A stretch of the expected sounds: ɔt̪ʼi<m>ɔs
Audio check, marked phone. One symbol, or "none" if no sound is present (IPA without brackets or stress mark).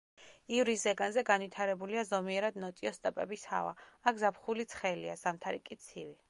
none